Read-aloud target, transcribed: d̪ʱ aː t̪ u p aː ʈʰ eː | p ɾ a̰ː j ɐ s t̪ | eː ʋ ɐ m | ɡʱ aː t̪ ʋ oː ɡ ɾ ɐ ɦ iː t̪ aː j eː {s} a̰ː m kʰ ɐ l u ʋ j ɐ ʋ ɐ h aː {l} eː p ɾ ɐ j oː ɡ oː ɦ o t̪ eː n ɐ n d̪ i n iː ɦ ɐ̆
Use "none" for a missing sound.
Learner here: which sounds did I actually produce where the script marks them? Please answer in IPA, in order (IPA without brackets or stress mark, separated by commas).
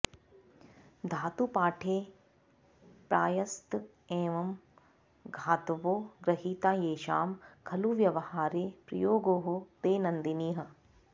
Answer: ʃ, ɾ